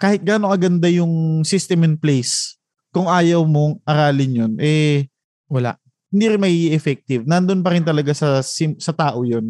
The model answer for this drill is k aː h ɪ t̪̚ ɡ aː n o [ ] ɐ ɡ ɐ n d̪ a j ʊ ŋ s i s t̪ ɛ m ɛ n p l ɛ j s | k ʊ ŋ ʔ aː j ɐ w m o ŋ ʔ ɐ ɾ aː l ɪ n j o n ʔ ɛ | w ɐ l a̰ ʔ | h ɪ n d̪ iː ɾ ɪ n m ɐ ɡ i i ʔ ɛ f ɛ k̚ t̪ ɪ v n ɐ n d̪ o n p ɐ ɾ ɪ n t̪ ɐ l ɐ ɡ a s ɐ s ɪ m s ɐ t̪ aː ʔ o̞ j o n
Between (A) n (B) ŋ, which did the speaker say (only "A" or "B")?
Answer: B